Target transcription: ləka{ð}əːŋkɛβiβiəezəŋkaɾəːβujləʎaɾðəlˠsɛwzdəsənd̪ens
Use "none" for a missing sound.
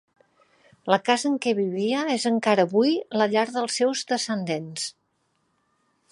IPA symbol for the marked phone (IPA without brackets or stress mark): z